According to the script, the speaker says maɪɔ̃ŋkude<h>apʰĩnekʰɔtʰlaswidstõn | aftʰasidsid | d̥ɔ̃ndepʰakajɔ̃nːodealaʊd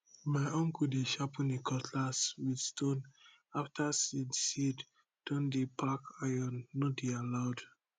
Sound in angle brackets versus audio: incorrect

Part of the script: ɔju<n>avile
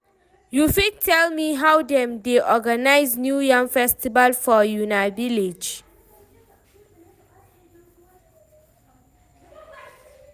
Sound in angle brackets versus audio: correct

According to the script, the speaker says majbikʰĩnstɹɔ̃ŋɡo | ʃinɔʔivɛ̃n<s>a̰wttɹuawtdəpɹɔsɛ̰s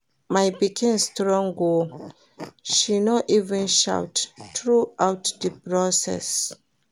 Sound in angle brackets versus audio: incorrect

